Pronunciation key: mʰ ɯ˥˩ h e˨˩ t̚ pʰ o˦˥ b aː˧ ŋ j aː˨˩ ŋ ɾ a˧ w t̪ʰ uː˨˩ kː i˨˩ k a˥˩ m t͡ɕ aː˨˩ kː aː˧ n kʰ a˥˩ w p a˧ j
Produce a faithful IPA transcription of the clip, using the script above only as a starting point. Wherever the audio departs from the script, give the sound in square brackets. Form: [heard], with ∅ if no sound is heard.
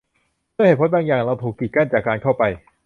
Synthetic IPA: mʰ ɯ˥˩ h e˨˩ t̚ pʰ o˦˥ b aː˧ ŋ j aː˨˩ ŋ ɾ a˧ w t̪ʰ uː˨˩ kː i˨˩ k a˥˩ [n] t͡ɕ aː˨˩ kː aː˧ n kʰ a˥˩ w p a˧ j